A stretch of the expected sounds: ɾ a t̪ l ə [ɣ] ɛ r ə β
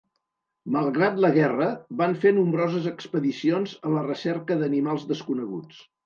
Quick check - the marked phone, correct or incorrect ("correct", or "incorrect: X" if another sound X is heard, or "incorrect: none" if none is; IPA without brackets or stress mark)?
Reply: correct